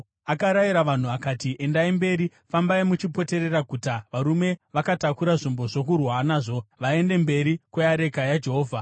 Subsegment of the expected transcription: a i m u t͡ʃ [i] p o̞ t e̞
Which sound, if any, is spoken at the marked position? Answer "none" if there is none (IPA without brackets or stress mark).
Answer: i